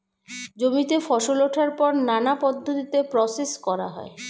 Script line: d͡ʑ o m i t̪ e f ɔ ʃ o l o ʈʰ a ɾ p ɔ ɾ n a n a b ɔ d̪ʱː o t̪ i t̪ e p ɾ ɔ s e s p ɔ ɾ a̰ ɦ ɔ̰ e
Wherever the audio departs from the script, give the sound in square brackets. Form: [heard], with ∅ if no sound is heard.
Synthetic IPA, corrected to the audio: d͡ʑ o m i t̪ e f ɔ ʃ o l o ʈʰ a ɾ p ɔ ɾ n a n a [p] ɔ d̪ʱː o t̪ i t̪ e p ɾ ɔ s e s [k] ɔ ɾ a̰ ɦ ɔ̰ e